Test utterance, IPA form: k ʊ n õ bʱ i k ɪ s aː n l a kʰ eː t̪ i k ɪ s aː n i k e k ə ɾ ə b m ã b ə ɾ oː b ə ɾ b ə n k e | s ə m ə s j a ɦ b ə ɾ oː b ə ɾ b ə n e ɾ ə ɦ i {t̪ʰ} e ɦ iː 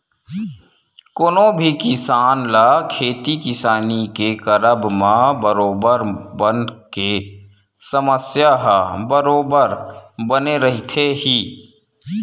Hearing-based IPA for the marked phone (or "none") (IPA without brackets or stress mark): t̪ʰ